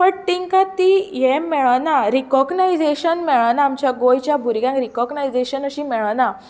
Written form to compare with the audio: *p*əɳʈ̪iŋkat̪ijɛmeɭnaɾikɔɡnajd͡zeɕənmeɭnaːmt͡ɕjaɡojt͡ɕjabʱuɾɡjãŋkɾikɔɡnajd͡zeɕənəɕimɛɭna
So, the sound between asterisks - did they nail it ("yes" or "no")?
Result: yes